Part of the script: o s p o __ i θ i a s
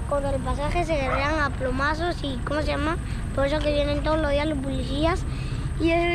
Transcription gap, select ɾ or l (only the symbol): l